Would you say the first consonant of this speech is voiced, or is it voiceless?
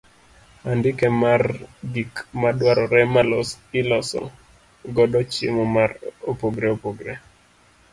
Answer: voiced